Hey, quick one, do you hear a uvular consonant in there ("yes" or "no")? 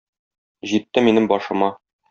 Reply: no